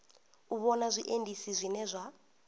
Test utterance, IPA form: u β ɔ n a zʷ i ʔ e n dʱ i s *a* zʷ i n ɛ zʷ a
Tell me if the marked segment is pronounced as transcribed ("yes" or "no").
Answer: no